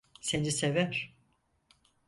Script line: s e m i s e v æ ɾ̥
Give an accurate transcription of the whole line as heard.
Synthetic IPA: s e n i s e v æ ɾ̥